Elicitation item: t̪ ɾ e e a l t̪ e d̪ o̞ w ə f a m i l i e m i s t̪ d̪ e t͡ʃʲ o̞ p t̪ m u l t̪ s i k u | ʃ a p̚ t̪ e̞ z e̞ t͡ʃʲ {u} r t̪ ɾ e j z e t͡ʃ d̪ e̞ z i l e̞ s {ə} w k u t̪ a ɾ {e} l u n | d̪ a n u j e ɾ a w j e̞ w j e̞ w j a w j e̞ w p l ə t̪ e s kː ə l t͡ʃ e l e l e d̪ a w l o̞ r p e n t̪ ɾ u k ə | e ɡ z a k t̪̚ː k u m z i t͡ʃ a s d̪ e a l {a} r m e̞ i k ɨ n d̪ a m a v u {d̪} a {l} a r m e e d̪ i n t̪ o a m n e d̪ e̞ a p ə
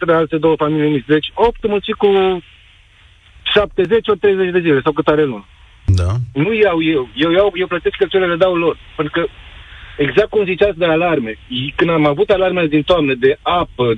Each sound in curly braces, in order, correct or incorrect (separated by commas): incorrect, incorrect, correct, correct, incorrect, correct